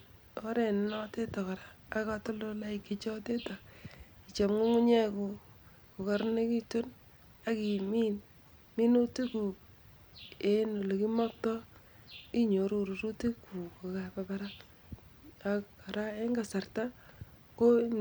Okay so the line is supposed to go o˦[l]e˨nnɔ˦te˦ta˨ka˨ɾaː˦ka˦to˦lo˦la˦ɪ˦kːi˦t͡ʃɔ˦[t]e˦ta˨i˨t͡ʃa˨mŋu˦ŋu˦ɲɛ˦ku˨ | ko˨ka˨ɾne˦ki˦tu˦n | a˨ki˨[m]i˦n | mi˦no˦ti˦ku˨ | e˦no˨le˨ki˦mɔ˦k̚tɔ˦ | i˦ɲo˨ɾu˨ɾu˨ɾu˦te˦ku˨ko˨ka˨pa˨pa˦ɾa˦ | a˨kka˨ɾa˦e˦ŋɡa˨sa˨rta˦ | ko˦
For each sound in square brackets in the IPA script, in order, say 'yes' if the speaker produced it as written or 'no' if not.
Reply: no, yes, yes

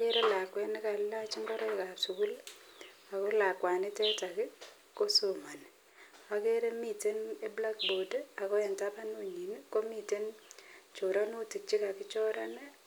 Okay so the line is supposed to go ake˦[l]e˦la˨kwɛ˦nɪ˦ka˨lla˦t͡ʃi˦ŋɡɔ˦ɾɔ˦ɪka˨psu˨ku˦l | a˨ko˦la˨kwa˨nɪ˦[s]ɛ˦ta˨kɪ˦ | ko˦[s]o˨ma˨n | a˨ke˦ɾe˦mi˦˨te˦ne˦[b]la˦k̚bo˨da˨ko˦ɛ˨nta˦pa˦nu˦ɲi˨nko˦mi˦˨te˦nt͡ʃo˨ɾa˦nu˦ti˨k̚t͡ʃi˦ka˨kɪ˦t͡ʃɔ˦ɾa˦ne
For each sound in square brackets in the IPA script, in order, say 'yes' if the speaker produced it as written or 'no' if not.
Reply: no, no, yes, yes

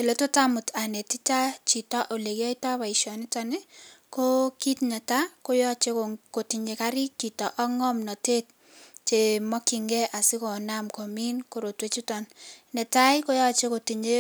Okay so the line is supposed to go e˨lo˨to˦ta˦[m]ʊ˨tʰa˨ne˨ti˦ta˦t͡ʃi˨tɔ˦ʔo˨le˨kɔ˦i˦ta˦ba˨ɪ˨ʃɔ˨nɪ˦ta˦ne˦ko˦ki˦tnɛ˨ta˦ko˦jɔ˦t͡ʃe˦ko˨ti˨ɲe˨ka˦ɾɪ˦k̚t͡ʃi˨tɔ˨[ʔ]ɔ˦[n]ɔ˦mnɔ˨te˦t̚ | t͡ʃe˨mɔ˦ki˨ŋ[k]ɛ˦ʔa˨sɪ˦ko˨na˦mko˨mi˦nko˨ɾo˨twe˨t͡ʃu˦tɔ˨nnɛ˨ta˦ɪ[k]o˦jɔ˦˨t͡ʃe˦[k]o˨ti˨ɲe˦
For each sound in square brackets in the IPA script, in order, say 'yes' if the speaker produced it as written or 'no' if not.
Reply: yes, yes, no, no, yes, yes

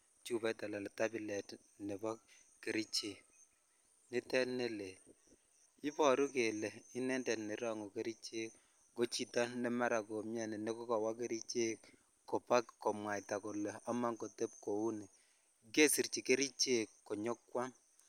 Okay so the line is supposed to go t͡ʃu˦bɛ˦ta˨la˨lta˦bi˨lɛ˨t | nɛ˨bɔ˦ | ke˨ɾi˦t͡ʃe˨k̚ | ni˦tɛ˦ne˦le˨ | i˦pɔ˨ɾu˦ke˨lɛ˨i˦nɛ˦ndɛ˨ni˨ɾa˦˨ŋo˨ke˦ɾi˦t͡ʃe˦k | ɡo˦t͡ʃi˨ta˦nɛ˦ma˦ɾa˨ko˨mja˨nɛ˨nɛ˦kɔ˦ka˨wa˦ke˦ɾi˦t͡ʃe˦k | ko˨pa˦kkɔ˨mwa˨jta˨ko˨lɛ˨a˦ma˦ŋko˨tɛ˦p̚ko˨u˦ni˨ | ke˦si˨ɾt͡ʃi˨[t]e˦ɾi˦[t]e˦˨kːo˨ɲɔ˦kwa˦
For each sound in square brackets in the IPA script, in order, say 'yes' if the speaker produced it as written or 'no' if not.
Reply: no, no

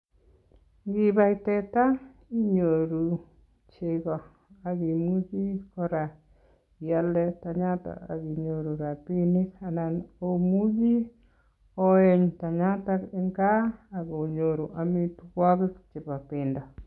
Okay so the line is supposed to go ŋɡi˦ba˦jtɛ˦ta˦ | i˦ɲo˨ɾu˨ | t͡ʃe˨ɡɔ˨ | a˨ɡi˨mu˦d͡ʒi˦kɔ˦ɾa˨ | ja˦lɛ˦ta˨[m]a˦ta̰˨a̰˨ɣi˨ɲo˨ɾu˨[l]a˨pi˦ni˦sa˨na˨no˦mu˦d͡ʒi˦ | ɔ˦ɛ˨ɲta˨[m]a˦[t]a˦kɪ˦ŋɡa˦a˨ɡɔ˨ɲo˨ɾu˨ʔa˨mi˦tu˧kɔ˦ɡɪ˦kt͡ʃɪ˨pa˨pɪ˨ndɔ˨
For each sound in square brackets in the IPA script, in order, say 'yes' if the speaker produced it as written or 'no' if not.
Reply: no, no, no, yes

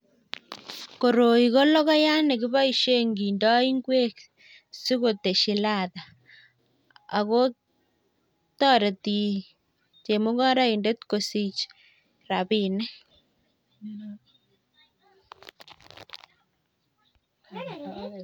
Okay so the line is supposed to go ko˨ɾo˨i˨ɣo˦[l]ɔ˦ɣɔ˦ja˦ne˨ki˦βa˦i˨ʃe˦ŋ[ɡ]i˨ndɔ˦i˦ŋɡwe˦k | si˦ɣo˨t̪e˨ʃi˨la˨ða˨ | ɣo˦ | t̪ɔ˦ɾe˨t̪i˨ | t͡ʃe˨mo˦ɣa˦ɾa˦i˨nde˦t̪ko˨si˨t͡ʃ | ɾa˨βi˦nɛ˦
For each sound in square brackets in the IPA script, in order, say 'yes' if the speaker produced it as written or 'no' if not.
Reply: yes, yes

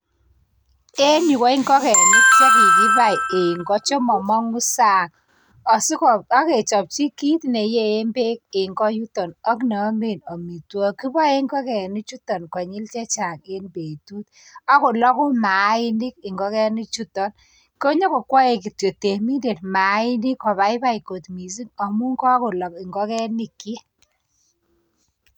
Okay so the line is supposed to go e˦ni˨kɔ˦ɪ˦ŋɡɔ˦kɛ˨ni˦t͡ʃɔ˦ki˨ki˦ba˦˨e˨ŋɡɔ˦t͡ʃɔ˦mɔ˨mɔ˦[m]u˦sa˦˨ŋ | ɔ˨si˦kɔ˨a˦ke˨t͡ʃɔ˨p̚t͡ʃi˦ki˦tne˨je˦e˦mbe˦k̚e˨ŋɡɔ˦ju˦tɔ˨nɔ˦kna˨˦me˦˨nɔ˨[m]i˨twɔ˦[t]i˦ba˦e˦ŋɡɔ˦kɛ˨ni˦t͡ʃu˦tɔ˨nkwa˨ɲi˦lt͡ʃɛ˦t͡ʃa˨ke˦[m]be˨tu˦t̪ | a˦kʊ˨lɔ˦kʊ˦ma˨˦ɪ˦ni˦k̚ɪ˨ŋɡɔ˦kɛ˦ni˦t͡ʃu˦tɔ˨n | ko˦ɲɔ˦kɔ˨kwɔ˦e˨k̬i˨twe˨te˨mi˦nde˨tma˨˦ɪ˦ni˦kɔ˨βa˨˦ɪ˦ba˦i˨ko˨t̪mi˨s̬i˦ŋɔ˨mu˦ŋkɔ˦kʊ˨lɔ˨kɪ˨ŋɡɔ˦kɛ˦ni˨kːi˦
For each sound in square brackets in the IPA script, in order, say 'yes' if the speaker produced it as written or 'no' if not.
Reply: no, yes, no, no

